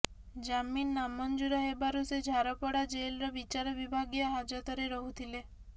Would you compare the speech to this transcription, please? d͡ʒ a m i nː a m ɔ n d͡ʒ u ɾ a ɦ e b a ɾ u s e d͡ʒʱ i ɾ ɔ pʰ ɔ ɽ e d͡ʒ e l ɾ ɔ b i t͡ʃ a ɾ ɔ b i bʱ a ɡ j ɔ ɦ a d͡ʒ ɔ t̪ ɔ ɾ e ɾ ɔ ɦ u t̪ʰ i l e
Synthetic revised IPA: d͡ʒ a m i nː a m ɔ n d͡ʒ u ɾ a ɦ e b a ɾ u s e d͡ʒʱ a ɾ ɔ p ɔ ɽ a d͡ʒ e l ɾ ɔ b i t͡ʃ a ɾ ɔ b i bʱ a ɡ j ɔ ɦ a d͡ʒ ɔ t̪ ɔ ɾ e ɾ ɔ ɦ u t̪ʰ i l e